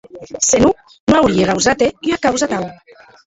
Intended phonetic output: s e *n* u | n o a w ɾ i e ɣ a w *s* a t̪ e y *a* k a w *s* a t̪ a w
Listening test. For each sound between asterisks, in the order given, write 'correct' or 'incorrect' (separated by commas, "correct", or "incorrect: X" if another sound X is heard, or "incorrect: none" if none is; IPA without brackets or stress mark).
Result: correct, incorrect: z, correct, incorrect: z